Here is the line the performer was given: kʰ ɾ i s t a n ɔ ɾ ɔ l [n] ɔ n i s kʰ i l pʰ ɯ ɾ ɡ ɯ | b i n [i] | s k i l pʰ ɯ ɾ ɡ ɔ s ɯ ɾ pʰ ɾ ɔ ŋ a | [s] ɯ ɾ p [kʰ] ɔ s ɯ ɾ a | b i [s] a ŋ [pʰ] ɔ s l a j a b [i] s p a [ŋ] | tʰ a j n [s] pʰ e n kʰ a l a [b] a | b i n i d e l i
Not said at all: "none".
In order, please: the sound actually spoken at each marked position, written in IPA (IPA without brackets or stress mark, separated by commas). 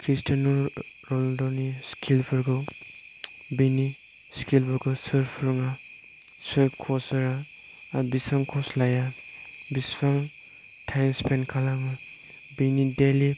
d, i, s, kʰ, s, kʰ, i, ŋ, s, m